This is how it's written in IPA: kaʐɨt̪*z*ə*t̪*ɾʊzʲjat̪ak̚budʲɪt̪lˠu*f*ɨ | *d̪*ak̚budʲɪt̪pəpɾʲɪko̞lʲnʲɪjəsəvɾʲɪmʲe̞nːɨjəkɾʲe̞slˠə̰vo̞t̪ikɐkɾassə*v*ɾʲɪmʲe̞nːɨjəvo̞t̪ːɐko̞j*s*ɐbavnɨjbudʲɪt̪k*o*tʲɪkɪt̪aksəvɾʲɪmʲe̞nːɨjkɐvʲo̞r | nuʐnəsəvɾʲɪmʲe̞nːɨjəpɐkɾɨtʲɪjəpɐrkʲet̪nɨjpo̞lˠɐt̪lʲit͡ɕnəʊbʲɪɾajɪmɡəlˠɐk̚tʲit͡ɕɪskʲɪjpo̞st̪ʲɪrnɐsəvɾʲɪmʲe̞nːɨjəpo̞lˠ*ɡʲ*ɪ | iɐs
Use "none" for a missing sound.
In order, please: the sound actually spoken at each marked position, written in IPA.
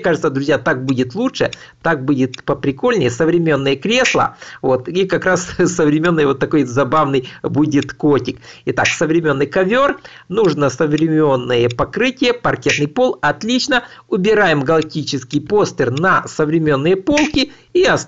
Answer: s, d̪, ʂ, t̪, v, z, o, kʲ

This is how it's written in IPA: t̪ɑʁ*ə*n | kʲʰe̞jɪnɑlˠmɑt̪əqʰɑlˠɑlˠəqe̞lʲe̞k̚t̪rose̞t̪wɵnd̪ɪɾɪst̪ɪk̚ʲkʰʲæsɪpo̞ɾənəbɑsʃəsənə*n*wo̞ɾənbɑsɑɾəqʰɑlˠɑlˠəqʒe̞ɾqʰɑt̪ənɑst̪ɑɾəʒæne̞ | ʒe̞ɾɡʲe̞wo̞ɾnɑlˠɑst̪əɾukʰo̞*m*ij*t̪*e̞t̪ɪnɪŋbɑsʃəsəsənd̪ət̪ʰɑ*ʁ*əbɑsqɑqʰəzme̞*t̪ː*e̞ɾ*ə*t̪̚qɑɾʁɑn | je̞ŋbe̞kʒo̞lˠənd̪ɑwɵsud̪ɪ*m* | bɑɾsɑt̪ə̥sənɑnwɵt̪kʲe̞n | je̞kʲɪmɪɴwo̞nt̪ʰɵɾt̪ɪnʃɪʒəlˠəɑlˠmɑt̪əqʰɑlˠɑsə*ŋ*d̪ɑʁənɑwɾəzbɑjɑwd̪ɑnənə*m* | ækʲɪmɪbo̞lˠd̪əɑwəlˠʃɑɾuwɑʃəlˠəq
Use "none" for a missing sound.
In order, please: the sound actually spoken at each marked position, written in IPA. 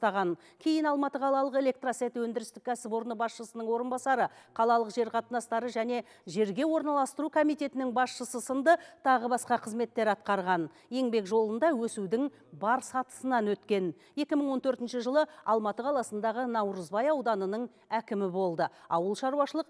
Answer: ɑ, ɴ, m, t̪, ʁ, t̪ː, ɑ, ŋ, n, ɴ

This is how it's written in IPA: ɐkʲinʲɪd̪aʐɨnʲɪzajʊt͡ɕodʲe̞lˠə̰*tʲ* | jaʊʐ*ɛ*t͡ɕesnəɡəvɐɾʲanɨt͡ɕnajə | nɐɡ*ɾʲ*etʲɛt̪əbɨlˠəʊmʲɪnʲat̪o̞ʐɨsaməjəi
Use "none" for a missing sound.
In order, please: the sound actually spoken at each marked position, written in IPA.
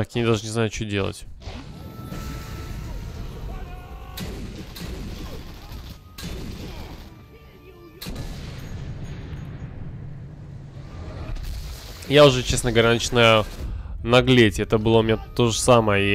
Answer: tʲ, ɛ, lʲ

